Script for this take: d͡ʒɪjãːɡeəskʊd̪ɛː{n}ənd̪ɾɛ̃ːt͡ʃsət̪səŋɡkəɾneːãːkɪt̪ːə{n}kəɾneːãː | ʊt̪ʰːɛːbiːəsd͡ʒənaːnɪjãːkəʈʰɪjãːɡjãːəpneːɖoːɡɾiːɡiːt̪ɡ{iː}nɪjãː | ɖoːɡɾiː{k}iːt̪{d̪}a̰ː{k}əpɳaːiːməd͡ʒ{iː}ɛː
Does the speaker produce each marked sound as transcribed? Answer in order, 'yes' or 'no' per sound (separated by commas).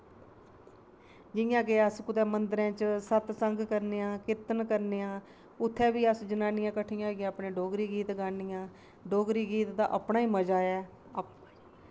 no, yes, no, no, yes, no, no